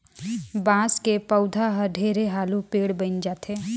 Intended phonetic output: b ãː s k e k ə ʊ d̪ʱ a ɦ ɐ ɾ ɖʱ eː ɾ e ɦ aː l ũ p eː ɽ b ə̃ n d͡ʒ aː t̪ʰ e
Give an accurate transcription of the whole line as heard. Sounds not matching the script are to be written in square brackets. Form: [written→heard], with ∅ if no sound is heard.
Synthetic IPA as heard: b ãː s k e [k→p] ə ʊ d̪ʱ a ɦ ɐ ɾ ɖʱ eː ɾ e ɦ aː l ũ p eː ɽ b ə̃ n d͡ʒ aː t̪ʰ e